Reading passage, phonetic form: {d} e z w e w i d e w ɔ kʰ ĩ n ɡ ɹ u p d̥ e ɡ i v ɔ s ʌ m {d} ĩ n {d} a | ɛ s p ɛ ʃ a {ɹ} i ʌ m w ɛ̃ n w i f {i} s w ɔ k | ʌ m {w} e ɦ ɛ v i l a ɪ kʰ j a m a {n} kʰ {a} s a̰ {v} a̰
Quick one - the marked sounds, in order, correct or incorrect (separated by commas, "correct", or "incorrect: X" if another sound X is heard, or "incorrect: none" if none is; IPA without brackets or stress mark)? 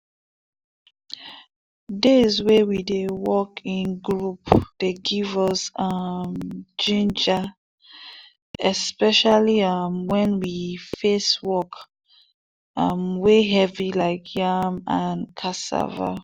correct, incorrect: d͡ʒ, incorrect: d͡ʒ, incorrect: l, incorrect: e, correct, correct, correct, correct